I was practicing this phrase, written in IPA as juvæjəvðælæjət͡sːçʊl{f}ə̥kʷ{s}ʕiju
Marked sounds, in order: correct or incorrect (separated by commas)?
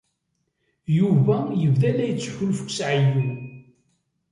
correct, correct